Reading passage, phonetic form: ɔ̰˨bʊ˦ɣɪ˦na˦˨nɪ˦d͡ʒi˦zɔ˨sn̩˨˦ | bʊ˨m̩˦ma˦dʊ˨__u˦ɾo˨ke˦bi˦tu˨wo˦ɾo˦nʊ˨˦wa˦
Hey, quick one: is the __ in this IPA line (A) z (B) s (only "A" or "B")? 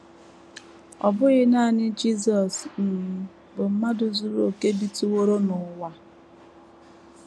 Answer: A